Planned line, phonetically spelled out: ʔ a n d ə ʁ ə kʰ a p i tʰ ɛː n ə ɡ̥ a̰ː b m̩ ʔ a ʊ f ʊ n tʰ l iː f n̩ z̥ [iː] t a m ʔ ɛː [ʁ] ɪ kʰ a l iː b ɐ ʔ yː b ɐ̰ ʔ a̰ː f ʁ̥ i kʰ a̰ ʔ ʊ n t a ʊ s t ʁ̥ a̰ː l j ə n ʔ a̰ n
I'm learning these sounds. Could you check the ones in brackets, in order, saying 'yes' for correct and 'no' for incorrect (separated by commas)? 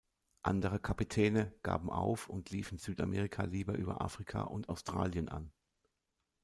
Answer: no, yes